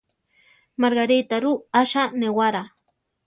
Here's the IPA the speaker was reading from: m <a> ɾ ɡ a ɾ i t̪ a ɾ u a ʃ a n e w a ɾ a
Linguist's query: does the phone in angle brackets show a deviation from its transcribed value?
no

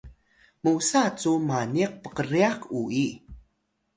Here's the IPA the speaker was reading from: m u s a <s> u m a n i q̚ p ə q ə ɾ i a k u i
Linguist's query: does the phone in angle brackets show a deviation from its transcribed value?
yes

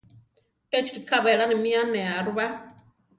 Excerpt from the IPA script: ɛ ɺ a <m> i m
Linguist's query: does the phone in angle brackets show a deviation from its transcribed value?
yes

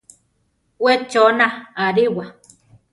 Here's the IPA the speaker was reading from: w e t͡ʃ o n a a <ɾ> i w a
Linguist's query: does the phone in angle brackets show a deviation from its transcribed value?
no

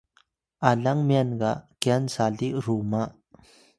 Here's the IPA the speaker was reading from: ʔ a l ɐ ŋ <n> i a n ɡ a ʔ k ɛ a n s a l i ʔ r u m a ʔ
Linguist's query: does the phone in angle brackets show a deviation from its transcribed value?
yes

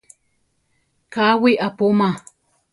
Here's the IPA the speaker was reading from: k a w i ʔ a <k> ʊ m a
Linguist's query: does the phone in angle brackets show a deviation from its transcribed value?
yes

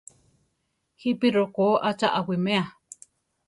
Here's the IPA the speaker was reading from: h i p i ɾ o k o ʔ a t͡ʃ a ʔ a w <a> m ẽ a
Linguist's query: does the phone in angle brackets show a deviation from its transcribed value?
yes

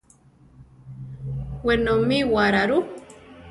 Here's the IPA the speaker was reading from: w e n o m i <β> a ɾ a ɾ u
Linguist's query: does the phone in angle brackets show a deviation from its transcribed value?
yes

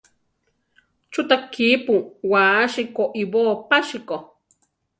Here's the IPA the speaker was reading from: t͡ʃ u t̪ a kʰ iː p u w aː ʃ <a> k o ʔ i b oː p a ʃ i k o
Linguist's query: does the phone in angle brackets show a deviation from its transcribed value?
yes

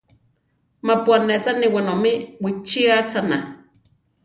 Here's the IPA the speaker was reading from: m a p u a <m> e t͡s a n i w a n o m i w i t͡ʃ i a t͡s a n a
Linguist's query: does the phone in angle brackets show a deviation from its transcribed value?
yes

